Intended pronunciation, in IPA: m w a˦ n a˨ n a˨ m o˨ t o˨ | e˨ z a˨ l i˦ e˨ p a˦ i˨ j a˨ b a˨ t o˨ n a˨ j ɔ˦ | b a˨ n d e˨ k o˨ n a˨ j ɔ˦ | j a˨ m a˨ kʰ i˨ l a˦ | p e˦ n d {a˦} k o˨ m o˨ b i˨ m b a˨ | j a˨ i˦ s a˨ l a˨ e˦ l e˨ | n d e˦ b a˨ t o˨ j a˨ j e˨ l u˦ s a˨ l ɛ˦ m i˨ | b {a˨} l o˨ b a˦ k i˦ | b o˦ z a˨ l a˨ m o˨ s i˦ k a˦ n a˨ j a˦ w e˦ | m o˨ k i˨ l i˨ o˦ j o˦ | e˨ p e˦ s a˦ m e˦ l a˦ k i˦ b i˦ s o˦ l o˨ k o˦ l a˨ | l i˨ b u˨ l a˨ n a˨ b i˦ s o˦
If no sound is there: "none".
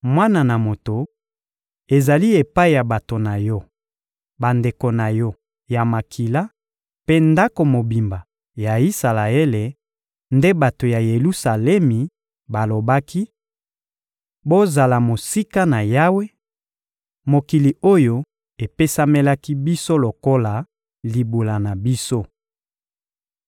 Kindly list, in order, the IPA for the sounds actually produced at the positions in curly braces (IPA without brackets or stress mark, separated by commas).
a˦, a˨